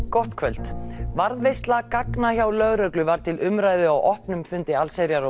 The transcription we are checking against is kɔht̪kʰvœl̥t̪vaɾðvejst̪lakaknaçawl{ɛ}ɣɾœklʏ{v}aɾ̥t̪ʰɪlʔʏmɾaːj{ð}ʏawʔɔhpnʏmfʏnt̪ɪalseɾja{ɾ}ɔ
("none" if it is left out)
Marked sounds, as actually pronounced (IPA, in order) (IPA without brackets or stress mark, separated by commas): œ, v, ð, ɾ